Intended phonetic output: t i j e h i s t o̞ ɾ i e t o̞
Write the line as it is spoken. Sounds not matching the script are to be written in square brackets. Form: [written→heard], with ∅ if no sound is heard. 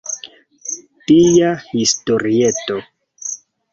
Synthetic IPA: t i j [e→a] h i s t o̞ ɾ i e t o̞